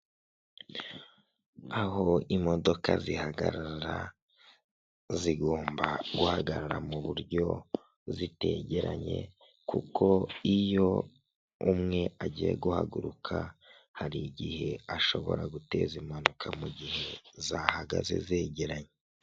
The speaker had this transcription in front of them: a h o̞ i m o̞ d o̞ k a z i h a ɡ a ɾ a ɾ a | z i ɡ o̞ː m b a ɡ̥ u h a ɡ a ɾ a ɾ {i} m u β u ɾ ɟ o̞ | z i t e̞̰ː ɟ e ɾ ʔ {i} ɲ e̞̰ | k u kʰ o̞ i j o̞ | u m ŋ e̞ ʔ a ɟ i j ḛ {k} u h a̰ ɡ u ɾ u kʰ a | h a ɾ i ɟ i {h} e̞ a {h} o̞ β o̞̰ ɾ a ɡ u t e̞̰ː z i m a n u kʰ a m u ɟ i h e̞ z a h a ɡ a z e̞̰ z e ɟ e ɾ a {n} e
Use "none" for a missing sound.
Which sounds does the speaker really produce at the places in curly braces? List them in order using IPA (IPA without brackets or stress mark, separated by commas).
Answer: a, a, ɡ, h, ʃ, ɲ